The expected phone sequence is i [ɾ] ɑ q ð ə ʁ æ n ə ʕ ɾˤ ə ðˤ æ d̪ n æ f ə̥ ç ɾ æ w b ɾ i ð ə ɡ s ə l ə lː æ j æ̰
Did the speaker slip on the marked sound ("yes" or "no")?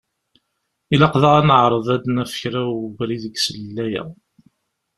yes